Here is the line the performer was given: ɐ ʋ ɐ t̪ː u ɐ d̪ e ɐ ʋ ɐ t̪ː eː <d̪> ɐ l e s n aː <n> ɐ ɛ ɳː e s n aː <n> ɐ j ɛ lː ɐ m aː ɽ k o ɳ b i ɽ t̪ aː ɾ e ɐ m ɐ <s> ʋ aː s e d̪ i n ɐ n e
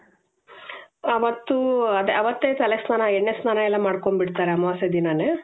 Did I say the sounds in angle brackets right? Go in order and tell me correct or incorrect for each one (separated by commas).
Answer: incorrect, correct, correct, incorrect